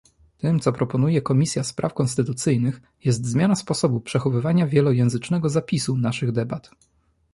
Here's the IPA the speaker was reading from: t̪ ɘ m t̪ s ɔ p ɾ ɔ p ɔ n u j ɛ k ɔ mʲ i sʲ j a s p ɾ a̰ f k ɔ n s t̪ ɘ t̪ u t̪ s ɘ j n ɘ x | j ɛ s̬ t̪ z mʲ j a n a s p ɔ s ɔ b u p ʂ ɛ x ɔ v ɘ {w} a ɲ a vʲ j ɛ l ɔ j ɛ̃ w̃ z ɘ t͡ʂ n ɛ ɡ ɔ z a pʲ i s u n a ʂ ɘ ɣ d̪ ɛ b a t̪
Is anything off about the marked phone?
yes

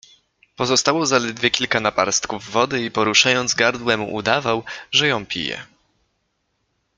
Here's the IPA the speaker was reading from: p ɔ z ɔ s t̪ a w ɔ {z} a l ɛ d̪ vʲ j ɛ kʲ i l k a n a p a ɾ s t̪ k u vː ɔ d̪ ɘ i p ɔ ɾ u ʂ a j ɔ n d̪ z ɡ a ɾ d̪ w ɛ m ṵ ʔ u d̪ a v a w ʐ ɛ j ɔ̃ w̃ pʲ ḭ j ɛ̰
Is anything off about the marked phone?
no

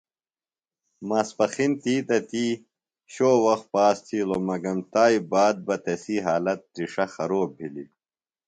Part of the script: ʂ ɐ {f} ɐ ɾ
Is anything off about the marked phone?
yes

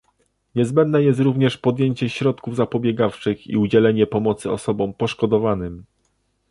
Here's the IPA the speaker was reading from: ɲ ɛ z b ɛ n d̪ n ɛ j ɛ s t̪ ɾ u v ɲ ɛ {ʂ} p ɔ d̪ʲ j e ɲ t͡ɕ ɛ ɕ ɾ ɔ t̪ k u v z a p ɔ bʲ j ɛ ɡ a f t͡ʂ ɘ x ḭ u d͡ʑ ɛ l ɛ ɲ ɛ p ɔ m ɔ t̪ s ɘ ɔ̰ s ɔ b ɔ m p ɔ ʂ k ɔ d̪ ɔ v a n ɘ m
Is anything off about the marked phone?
no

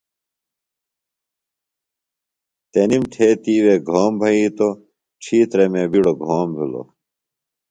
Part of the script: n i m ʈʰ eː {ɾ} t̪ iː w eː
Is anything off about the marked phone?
yes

